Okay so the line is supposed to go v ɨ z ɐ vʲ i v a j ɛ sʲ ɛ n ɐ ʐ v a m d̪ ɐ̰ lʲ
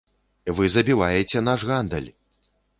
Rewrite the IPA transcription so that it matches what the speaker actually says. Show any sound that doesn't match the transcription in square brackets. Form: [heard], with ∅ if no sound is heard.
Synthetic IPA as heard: v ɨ z ɐ [bʲ] i v a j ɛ [t͡sʲ] ɛ n [a] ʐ [ɣ] a [n] d̪ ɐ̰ lʲ